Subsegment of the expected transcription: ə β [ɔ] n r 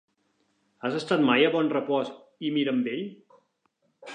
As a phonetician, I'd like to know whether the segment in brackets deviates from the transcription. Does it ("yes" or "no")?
no